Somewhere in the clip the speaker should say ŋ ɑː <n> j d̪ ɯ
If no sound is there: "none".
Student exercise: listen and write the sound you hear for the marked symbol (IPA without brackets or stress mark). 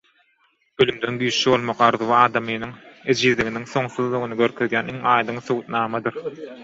none